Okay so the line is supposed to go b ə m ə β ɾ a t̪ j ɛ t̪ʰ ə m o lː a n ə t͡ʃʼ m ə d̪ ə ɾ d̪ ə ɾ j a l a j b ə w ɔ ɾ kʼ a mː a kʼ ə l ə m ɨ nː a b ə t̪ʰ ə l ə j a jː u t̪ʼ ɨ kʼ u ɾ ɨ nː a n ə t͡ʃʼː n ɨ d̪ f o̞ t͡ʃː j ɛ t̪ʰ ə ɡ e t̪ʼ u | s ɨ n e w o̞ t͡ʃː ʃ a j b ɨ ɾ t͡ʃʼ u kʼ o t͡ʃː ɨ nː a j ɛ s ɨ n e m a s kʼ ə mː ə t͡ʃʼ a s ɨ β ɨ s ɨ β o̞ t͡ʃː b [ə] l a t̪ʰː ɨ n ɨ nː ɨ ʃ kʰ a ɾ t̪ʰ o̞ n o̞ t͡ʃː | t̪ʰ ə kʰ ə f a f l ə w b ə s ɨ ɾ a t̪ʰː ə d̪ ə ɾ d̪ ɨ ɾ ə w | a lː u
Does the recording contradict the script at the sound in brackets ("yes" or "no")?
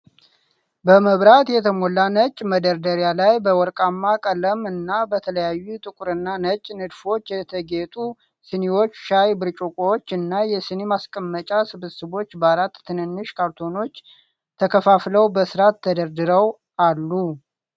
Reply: yes